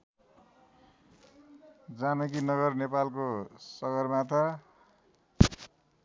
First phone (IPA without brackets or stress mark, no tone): d͡z